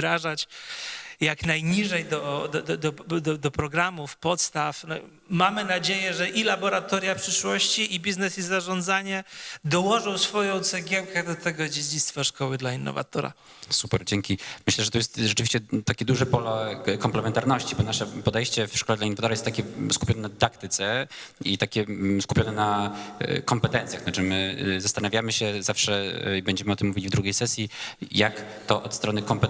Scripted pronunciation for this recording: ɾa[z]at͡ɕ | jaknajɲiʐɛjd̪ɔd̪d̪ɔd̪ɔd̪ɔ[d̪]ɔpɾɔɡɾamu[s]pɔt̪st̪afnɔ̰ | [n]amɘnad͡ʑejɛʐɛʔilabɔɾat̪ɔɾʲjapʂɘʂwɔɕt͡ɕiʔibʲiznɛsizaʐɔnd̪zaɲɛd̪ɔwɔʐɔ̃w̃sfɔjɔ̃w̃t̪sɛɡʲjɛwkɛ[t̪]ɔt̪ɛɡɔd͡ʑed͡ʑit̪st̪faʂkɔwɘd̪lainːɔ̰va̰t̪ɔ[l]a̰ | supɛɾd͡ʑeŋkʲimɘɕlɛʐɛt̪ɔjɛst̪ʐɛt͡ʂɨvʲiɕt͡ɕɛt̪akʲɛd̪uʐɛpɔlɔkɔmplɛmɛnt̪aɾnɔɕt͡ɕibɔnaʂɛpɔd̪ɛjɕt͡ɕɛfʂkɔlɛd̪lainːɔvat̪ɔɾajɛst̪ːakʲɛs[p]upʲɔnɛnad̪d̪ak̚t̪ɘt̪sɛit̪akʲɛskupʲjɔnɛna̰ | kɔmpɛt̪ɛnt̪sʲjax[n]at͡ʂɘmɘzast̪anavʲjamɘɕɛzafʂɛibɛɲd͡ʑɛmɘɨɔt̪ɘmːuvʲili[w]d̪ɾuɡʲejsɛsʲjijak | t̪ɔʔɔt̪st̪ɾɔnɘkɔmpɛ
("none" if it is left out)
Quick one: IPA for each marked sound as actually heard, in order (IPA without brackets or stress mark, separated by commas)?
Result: ʐ, d̪, f, m, d̪, ɾ, k, n, v